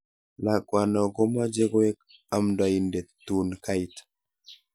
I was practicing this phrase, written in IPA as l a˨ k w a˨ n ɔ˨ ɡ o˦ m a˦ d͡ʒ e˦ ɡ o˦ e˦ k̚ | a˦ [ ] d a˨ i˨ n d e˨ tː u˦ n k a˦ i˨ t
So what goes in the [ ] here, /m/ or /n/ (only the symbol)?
m